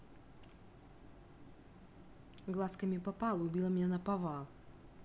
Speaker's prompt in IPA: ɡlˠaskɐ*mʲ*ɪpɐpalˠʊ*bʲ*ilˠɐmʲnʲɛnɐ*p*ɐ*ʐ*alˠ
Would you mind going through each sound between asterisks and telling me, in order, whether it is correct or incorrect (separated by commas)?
correct, correct, correct, incorrect